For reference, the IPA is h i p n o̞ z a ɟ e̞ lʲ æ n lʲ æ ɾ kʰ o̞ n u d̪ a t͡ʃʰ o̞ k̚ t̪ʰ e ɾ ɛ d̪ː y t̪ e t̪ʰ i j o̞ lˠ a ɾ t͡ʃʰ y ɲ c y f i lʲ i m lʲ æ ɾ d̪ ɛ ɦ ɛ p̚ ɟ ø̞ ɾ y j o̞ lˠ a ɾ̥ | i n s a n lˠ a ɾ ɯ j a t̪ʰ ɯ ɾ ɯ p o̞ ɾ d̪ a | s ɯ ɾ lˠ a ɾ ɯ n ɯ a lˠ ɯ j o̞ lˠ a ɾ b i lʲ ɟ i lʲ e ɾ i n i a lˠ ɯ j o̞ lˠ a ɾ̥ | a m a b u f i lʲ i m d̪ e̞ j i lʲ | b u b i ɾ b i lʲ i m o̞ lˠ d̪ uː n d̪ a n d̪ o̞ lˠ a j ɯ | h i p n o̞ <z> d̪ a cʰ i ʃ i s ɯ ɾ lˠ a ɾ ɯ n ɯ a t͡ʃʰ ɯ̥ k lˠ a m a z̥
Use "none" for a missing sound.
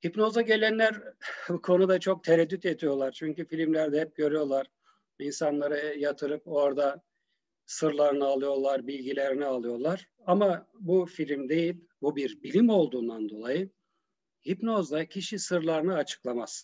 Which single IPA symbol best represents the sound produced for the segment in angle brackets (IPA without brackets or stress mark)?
z